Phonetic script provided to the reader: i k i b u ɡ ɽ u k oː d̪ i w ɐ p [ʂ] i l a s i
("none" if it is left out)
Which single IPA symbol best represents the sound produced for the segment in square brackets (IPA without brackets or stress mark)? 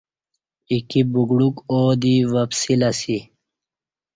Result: s